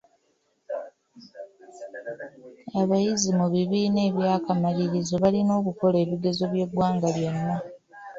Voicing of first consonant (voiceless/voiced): voiced